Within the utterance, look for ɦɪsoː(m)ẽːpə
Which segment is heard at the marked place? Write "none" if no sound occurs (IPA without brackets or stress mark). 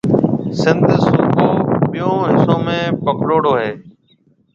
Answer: m